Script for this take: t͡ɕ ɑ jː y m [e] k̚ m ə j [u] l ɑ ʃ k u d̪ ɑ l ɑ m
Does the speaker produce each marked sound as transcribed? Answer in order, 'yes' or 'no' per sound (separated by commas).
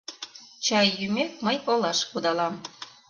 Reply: yes, no